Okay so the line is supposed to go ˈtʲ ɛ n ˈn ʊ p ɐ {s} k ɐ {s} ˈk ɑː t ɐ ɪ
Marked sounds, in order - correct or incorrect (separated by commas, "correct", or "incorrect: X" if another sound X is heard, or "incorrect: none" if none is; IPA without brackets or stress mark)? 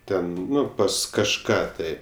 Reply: correct, incorrect: ʃ